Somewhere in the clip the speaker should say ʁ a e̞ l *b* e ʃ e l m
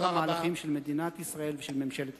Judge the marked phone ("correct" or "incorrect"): incorrect